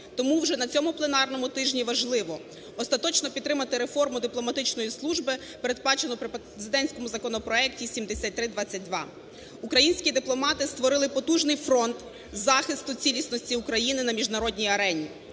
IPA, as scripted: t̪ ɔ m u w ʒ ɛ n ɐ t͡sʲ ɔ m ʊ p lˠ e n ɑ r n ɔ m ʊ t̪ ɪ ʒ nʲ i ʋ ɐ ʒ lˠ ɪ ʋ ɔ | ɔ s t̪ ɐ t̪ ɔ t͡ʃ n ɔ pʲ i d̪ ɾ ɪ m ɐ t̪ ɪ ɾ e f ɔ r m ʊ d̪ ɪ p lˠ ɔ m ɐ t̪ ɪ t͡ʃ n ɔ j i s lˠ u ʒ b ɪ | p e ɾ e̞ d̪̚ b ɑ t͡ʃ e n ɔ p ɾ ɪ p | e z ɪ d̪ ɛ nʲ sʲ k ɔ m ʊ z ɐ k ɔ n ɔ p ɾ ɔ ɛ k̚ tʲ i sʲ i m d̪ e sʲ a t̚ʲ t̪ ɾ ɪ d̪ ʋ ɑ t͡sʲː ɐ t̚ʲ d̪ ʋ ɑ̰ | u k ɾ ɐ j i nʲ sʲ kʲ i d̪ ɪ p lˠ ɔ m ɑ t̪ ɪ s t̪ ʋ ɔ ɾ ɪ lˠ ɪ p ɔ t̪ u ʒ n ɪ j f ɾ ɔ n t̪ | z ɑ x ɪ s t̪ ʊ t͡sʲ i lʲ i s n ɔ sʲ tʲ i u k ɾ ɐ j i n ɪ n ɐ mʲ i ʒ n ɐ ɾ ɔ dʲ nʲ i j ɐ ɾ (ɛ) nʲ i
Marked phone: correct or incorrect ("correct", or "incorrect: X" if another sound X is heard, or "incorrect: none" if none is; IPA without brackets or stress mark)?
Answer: correct